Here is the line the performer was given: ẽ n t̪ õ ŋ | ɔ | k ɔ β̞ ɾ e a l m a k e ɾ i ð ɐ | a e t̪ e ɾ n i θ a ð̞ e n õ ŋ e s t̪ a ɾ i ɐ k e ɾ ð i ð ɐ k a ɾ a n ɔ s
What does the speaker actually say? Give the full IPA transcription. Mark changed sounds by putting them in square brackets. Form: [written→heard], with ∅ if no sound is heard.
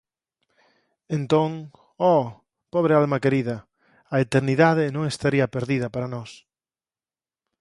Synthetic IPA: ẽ n t̪ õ ŋ | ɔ | [k→p] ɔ β̞ ɾ e a l m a k e ɾ i ð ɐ | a e t̪ e ɾ n i [θ→ð] a ð̞ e n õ ŋ e s t̪ a ɾ i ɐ [k→p] e ɾ ð i ð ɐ [k→p] a ɾ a n ɔ s